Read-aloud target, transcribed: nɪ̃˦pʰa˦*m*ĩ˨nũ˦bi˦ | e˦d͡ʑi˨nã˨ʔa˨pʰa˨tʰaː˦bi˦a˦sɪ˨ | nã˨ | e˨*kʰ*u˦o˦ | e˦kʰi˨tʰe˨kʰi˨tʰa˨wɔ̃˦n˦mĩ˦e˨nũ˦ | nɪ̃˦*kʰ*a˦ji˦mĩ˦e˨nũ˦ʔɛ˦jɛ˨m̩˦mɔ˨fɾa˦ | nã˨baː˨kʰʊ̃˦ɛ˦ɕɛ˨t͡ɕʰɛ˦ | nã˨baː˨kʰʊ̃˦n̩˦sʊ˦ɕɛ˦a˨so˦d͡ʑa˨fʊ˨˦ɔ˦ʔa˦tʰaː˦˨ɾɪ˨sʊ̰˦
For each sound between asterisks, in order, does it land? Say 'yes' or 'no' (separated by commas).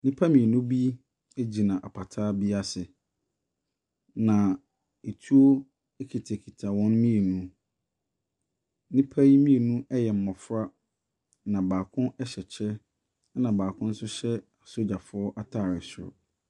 yes, no, no